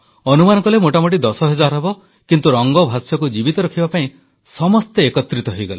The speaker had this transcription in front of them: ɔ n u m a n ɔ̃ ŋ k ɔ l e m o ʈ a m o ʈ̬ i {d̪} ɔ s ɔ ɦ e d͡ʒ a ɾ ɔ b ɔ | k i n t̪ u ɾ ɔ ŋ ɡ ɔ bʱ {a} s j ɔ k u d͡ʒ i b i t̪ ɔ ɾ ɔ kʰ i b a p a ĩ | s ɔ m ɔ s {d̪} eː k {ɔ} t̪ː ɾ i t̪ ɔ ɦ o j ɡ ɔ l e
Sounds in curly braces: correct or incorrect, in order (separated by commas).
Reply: correct, correct, incorrect, correct